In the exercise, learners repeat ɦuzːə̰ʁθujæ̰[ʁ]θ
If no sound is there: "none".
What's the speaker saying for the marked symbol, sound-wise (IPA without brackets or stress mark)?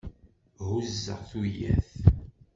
none